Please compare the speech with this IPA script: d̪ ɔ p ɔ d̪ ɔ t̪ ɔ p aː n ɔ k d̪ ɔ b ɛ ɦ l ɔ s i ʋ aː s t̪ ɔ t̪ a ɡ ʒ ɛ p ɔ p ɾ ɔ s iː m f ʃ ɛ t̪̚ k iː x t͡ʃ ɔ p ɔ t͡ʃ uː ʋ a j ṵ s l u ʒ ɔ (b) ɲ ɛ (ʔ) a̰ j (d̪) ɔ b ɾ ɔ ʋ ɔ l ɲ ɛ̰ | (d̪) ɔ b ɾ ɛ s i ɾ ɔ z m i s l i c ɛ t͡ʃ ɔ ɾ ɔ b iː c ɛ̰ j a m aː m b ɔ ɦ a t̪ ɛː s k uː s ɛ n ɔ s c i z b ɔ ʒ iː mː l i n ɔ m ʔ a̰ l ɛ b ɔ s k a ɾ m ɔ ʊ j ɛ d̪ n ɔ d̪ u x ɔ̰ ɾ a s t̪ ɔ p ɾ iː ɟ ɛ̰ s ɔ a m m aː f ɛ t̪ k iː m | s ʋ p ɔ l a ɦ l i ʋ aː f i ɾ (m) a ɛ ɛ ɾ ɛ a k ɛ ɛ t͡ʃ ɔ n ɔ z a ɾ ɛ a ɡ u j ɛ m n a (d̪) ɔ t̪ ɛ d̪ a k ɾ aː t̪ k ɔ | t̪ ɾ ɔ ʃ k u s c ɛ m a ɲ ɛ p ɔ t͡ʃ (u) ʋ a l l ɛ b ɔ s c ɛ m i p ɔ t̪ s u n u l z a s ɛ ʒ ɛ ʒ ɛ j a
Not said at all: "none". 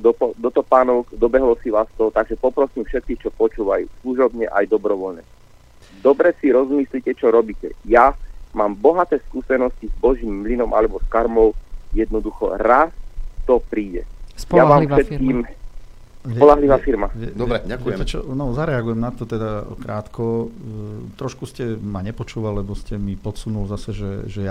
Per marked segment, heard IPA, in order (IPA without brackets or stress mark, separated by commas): b, ʔ, d̪, d̪, m, t̪, uː